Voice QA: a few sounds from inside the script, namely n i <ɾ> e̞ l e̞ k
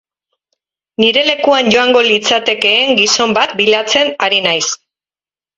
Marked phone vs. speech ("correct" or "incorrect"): correct